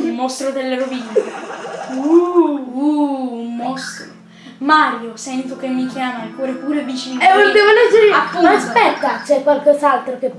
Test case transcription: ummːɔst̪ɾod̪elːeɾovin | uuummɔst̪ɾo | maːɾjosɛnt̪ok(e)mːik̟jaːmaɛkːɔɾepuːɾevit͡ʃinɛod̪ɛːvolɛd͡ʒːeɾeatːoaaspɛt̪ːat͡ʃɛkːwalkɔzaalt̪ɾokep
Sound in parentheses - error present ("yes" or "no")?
no